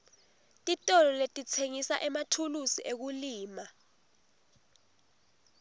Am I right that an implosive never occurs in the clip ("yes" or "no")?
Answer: yes